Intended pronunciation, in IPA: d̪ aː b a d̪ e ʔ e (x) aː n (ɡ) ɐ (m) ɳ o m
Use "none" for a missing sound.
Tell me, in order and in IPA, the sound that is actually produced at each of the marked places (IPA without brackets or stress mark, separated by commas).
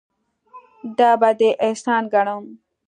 s, ɡ, none